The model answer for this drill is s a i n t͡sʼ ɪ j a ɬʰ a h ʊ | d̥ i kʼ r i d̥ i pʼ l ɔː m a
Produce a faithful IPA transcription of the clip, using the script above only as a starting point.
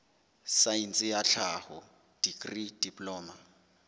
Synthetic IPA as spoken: s a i n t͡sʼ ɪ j a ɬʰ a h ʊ | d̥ i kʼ r i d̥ i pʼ l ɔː m a